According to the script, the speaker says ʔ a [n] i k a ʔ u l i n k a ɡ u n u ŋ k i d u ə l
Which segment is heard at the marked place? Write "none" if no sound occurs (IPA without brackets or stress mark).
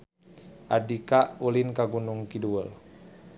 d